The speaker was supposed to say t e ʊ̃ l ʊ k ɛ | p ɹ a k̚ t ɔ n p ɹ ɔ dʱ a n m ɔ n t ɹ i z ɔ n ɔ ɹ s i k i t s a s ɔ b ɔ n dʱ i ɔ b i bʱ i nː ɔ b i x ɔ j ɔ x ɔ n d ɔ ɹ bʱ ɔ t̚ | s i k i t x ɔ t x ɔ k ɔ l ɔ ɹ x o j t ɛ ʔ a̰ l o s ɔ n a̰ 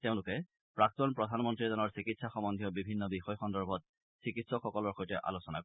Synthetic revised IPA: t e ʊ̃ l ʊ k ɛ | p ɹ a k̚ t ɔ n p ɹ ɔ dʱ a n m ɔ n t ɹ i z ɔ n ɔ ɹ s i k i t s a x ɔ m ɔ n dʱ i ɔ b i bʱ i nː ɔ b i x ɔ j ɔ x ɔ n d ɔ ɹ bʱ ɔ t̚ | s i k i t s ɔ k x ɔ k ɔ l ɔ ɹ x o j t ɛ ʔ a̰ l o s ɔ n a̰